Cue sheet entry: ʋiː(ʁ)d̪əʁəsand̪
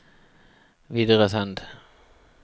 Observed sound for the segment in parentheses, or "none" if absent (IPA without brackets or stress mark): none